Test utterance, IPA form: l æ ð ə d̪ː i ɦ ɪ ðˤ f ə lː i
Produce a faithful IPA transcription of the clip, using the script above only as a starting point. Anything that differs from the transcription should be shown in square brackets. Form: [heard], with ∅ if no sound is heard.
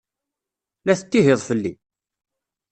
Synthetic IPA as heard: l æ [θ] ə [t̪ː] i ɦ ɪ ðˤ f ə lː i